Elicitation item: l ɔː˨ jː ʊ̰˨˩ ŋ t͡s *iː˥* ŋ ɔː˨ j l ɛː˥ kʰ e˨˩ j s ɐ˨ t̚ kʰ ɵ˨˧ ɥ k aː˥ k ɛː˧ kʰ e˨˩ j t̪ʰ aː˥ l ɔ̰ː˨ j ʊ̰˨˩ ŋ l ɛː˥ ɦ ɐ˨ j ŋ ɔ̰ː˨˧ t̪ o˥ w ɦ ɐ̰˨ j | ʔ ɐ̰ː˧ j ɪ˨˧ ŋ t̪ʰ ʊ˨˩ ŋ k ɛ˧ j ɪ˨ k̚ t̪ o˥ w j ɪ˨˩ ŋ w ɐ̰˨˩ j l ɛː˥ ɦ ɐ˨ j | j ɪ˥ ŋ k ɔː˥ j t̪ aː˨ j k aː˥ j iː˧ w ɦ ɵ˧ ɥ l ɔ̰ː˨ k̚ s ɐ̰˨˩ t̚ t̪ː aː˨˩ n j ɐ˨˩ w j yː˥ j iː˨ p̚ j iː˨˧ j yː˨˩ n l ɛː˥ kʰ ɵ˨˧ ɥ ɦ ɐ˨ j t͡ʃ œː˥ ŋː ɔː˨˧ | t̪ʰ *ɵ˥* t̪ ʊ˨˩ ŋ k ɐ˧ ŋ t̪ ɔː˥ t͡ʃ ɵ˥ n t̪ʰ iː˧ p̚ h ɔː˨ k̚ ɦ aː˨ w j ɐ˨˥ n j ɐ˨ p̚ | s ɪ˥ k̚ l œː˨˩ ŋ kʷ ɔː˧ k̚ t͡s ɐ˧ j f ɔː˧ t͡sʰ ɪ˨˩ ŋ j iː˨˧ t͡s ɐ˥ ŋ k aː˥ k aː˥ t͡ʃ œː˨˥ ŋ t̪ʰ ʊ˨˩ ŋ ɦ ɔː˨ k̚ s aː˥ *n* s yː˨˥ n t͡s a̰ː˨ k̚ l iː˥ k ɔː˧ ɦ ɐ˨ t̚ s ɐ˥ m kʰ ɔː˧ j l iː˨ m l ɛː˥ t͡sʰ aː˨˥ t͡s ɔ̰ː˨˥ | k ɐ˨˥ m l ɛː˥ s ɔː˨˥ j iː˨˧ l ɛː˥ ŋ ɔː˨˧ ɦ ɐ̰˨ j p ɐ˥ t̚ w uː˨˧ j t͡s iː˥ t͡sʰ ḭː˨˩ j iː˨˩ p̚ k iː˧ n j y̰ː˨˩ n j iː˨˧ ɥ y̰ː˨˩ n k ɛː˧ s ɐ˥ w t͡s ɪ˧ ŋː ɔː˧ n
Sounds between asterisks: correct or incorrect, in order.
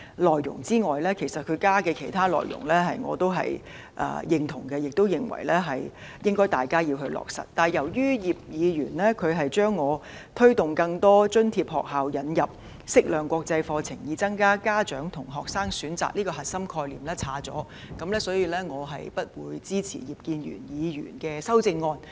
correct, correct, incorrect

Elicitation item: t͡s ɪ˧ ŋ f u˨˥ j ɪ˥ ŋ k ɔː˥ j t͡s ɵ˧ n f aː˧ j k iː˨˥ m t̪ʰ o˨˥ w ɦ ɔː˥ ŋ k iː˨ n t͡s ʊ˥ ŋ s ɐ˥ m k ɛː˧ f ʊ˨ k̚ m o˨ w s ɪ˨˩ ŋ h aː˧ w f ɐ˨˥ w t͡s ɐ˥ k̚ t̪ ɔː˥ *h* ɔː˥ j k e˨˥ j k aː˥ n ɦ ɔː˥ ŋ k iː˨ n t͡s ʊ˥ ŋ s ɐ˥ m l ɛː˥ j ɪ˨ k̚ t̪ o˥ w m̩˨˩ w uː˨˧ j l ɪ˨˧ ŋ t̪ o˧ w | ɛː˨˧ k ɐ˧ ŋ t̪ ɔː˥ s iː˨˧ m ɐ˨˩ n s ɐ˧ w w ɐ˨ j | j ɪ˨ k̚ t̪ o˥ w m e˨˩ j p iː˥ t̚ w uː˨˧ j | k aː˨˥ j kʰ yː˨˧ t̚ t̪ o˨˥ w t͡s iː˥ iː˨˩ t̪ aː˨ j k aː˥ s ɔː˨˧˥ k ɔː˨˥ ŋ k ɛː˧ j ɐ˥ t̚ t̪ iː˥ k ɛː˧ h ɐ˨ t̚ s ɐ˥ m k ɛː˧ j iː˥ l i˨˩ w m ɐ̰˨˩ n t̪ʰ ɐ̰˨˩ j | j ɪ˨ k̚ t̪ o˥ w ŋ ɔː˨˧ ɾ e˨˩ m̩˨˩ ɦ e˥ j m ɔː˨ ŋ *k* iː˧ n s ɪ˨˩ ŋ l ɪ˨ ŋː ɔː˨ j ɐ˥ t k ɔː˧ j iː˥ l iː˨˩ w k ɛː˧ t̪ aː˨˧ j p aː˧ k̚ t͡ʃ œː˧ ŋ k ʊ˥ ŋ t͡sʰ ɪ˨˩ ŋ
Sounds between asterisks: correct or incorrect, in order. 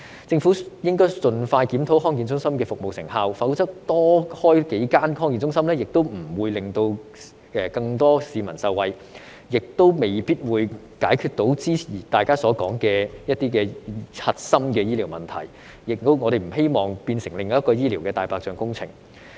correct, incorrect

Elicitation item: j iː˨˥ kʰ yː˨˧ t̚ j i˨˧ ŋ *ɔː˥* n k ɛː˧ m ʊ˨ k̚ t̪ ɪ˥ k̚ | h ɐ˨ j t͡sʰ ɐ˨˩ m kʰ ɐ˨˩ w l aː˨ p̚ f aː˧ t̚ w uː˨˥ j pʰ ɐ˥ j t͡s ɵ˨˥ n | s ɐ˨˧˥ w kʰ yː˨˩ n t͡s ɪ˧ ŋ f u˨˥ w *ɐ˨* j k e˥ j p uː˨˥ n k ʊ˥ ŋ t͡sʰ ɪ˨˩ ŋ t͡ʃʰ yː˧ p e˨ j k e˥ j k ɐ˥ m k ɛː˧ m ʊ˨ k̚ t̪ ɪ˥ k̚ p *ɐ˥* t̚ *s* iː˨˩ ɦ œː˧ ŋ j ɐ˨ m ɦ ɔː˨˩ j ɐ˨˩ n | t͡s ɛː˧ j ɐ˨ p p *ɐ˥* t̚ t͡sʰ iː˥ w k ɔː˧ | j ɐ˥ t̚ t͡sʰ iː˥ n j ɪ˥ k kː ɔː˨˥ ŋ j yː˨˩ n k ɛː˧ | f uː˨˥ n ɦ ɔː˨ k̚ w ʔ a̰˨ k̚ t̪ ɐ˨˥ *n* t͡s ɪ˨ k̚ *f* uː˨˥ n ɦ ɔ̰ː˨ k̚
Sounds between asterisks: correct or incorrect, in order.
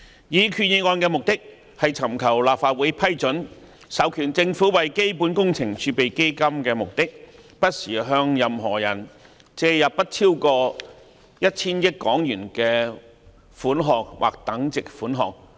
incorrect, correct, correct, correct, correct, incorrect, correct

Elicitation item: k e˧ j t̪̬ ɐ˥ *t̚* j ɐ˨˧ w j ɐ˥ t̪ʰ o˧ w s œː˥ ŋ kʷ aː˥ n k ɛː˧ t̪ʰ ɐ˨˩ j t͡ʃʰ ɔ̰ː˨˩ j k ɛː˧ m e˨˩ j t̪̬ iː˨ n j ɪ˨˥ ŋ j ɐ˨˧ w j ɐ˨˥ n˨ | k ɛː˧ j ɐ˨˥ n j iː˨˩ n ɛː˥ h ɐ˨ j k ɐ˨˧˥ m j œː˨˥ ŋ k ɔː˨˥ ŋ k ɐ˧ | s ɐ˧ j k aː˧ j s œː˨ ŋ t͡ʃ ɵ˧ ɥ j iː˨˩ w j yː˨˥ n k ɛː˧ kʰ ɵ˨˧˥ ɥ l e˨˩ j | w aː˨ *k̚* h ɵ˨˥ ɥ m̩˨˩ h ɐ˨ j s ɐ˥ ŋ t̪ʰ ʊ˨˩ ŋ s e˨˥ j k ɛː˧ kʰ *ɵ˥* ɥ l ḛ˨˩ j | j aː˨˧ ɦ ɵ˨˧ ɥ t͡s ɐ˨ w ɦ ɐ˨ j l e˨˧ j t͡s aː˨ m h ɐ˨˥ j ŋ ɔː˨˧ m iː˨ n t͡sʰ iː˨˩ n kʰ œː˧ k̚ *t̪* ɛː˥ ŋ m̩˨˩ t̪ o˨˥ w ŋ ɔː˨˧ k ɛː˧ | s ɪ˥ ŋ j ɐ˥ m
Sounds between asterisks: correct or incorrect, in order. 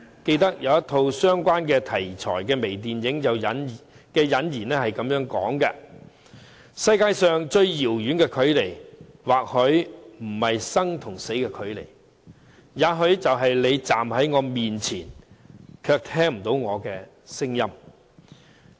incorrect, correct, incorrect, incorrect

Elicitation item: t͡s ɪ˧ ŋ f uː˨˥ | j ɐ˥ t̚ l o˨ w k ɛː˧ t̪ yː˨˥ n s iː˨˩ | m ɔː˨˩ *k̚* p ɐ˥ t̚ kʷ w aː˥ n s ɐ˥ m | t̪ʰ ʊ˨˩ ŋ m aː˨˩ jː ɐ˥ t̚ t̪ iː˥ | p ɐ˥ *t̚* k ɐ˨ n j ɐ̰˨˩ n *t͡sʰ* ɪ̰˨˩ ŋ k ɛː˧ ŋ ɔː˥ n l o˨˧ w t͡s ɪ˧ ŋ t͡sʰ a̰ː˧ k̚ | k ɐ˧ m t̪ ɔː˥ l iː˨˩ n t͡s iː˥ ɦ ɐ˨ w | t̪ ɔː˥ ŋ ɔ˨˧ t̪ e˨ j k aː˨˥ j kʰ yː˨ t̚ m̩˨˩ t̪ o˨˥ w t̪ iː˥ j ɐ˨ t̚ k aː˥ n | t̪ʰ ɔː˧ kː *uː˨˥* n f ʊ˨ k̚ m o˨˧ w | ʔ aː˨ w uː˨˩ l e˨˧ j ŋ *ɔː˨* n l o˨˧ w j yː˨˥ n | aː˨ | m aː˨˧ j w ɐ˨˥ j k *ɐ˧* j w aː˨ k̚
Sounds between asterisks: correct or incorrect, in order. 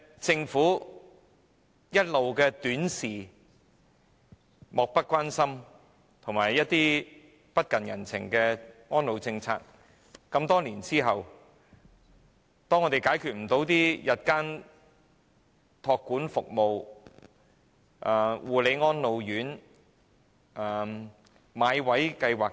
correct, correct, correct, correct, incorrect, correct

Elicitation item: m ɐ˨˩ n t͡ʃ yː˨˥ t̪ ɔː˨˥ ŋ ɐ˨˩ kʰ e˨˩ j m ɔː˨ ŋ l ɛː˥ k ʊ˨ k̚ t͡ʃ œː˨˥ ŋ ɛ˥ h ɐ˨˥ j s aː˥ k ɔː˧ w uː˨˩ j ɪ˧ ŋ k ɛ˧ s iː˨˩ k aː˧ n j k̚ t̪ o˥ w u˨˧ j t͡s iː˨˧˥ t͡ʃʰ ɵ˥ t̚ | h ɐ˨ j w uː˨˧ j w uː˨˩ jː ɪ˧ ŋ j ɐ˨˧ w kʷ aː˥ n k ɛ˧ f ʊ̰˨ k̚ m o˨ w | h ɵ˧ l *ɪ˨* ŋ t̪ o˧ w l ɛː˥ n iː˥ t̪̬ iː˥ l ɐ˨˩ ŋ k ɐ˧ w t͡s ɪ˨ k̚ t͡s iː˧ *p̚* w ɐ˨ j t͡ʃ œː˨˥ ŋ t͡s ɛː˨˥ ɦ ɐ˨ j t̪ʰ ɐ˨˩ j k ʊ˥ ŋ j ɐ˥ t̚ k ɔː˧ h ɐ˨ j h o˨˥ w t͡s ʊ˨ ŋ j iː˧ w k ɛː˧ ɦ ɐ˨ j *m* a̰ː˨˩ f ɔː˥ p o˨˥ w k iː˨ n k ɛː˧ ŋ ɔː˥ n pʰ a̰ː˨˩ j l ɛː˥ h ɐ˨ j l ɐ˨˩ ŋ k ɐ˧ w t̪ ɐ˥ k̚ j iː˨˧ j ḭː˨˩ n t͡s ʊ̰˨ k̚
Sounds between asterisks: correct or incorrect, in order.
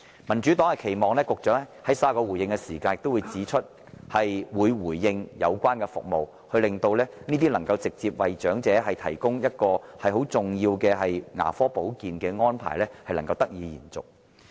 correct, correct, incorrect

